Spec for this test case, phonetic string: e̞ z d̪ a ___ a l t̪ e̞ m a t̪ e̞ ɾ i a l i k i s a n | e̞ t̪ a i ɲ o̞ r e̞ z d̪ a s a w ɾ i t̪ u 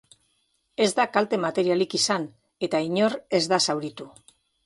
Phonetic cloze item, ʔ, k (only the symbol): k